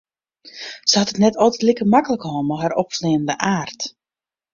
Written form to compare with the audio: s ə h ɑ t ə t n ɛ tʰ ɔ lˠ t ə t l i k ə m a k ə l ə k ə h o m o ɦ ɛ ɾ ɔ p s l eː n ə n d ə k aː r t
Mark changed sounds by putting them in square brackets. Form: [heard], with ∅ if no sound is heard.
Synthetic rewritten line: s ə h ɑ t ə t n ɛ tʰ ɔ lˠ t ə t l i k ə m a k ə l ə k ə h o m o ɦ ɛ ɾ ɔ p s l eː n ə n d ə [ʔ] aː r t